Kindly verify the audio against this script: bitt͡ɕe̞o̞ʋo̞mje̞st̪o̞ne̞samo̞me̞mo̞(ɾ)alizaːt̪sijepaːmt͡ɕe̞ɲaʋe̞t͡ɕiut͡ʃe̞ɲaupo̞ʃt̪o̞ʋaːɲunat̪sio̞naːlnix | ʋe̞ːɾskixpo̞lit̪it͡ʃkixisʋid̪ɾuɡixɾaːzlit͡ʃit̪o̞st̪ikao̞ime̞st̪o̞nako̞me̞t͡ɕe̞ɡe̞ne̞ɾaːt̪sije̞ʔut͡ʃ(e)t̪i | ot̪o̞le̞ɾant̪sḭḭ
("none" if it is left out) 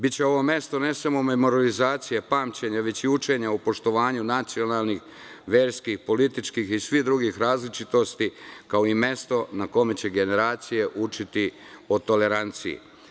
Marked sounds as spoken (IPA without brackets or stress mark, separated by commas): ɾ, i